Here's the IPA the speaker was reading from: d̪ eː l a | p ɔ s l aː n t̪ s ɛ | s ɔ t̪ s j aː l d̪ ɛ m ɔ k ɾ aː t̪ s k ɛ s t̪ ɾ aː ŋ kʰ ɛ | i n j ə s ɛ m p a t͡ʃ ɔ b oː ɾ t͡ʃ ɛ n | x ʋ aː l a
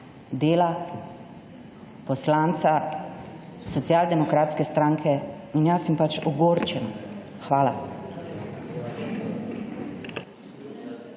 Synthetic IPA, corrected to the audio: d̪ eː l a | p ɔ s l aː n t̪ s a | s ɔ t̪ s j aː l d̪ ɛ m ɔ k ɾ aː t̪ s k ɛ s t̪ ɾ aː ŋ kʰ ɛ | i n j a s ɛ m p a t͡ʃ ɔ ɡ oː ɾ t͡ʃ ɛ n | x ʋ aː l a

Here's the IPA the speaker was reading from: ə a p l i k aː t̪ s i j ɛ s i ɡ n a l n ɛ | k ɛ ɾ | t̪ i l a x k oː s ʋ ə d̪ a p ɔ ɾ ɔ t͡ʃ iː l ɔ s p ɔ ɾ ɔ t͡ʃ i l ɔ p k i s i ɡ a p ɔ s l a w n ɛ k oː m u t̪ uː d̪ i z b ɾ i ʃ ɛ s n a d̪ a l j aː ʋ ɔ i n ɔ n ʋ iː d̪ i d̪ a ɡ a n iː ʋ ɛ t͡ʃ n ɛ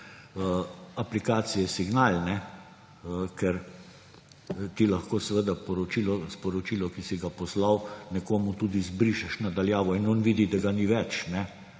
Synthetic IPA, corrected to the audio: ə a p l i k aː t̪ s i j ɛ s i ɡ n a l n ɛ | k ɛ ɾ | t̪ i l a x k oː s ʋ ə d̪ a p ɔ ɾ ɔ t͡ʃ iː l ɔ s p ɔ ɾ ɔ t͡ʃ i l ɔ k i s i ɡ a p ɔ s l a w n ɛ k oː m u t̪ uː d̪ i z b ɾ i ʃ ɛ ʃ n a d̪ a l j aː ʋ ɔ i n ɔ n ʋ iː d̪ i d̪ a ɡ a n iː ʋ ɛ t͡ʃ n ɛ

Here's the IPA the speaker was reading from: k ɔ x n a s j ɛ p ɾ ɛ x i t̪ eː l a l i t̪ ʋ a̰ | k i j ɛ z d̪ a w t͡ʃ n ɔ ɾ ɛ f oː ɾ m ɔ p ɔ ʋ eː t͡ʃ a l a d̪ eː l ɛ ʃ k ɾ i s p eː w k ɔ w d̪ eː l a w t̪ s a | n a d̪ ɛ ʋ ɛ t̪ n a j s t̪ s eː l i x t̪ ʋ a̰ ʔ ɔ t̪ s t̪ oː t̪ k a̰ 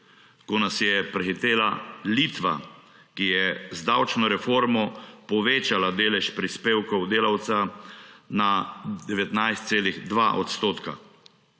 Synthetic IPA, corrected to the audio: k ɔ n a s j ɛ p ɾ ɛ x i t̪ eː l a l i t̪ ʋ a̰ | k i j ɛ z d̪ a w t͡ʃ n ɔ ɾ ɛ f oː ɾ m ɔ p ɔ ʋ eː t͡ʃ a l a d̪ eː l ɛ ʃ p ɾ i s p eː w k ɔ w d̪ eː l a w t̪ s a | n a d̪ ɛ ʋ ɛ t̪ n a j s t̪ s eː l i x d̪ ʋ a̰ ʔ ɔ t̪ s t̪ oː t̪ k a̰

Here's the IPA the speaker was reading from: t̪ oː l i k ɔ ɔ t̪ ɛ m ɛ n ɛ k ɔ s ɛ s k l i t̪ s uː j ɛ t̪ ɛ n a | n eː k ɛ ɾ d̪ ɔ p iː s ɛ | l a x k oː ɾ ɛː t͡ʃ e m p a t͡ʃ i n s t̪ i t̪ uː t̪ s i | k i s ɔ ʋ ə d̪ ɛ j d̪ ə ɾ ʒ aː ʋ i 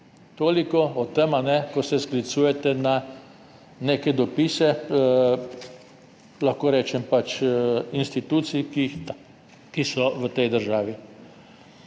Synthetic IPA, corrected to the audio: t̪ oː l i k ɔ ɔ t̪ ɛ m a n ɛ k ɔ s ɛ s k l i t̪ s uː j ɛ t̪ ɛ n a | n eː k ɛ d̪ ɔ p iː s ɛ | l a x k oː ɾ ɛː t͡ʃ ɛ m p a t͡ʃ i n s t̪ i t̪ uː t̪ s i | k i s ɔ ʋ ə t̪ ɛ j d̪ ə ɾ ʒ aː ʋ i

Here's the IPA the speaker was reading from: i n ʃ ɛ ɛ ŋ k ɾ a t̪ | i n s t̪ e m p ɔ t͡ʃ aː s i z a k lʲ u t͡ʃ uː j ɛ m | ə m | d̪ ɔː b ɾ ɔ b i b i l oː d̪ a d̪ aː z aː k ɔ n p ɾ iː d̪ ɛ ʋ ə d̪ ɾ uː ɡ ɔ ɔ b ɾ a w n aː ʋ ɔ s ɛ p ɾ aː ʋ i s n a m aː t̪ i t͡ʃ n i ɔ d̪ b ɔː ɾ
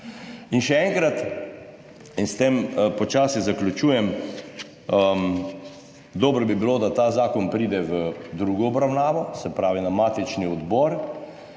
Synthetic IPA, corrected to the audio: i n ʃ ɛ ɛ ŋ k ɾ a t̪ | i n s t̪ e m p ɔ t͡ʃ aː s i z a k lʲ u t͡ʃ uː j ɛ m | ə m | d̪ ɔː b ɾ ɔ b i b i l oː d̪ a t̪ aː z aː k ɔ n p ɾ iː d̪ ɛ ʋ ə d̪ ɾ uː ɡ ɔ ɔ b ɾ a w n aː ʋ ɔ s ɛ p ɾ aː ʋ i n a m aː t̪ i t͡ʃ n i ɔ d̪ b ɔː ɾ

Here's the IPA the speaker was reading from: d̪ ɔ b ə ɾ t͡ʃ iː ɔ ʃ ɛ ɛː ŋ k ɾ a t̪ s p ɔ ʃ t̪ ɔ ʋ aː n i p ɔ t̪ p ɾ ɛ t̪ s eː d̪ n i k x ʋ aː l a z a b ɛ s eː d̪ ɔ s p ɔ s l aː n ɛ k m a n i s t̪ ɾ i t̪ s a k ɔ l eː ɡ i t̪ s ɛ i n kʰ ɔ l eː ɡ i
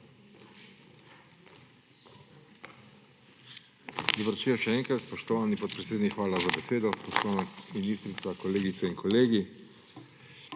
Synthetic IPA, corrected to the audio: d̪ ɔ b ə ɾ t͡ʃ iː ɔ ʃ ɛ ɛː ŋ k ɾ a t̪ s p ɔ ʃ t̪ ɔ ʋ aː n i p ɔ t̪ p ɾ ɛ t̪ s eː d̪ n i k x ʋ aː l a z a b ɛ s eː d̪ ɔ s p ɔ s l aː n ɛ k m i n i s t̪ ɾ i t̪ s a k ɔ l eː ɡ i t̪ s ɛ i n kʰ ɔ l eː ɡ i

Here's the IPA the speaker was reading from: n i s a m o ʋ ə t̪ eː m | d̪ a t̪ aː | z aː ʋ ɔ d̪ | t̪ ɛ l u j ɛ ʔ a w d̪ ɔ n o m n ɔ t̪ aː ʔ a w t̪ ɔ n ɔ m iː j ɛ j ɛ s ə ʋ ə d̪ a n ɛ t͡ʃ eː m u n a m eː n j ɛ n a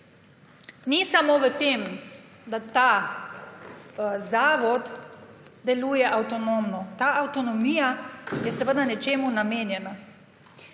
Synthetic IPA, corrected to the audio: n i s a m o ʋ ə t̪ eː m | d̪ a t̪ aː | z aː ʋ ɔ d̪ | d̪ ɛ l u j ɛ ʔ a w t̪ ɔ n o m n ɔ t̪ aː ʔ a w t̪ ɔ n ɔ m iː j a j ɛ s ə ʋ ə d̪ a n ɛ t͡ʃ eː m u n a m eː n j ɛ n a

